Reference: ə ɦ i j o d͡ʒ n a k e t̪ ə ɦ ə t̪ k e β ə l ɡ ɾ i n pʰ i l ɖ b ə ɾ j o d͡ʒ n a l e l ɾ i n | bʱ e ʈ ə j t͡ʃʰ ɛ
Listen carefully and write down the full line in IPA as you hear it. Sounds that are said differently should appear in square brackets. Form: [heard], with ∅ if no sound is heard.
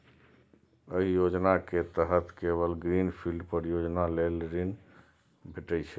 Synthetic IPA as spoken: ə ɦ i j o d͡ʒ n a k e t̪ ə ɦ ə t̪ k e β ə l ɡ ɾ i n pʰ i l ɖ [p] ə ɾ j o d͡ʒ n a l e l ɾ i n | bʱ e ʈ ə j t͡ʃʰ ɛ